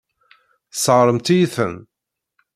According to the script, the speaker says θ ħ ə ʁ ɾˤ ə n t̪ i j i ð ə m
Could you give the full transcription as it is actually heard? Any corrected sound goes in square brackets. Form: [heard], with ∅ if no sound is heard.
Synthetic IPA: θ [s] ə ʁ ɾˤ ə [m] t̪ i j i [θ] ə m